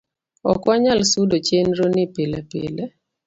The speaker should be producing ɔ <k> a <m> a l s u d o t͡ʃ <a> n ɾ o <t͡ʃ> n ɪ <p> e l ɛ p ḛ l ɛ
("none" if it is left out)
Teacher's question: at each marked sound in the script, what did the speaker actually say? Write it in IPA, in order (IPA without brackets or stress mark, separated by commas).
k, ɲ, e, none, p